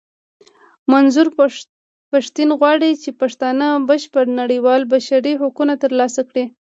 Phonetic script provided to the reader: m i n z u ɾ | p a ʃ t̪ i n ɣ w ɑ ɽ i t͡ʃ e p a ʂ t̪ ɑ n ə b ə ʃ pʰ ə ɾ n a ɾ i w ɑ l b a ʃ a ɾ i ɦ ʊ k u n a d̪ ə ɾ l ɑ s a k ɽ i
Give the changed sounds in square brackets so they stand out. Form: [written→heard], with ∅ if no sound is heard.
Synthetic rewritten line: m [i→a] n z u ɾ | p a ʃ t̪ i n ɣ w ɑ ɽ i t͡ʃ e p a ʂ t̪ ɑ n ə b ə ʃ [pʰ→p] ə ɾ n a [ɾ→ɽ] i w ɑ l b a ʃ a ɾ i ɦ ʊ k u n a [d̪→t̪] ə ɾ l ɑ s a k ɽ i